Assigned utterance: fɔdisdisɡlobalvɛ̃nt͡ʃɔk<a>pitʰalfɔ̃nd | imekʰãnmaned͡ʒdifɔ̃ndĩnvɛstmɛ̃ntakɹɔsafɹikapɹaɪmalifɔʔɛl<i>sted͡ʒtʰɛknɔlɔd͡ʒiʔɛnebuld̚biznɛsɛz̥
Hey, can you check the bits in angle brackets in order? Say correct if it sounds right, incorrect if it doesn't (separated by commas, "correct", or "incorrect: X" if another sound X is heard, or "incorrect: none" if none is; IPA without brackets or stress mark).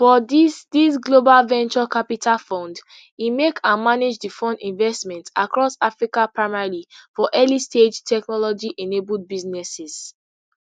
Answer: correct, correct